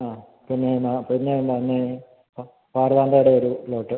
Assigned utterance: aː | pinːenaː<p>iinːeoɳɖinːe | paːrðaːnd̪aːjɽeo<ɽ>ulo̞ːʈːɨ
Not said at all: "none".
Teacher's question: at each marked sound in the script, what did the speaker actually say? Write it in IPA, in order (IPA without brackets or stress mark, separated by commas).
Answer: p, ɾ